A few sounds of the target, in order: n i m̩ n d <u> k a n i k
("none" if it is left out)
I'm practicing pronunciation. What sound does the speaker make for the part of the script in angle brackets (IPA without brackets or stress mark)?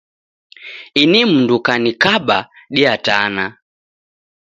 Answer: u